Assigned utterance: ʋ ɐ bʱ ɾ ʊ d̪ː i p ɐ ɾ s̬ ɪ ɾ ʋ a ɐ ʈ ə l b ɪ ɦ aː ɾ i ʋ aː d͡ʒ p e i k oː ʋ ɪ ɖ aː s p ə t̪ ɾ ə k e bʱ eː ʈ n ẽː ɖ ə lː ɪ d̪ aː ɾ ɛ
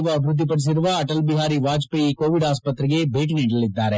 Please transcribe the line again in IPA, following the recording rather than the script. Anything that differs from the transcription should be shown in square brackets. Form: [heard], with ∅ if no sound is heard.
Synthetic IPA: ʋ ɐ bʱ ɾ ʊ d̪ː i p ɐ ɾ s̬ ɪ ɾ ʋ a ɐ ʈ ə l b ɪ ɦ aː ɾ i ʋ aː d͡ʒ p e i k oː ʋ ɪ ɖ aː s p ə t̪ ɾ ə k e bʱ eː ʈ n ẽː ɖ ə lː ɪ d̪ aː ɾ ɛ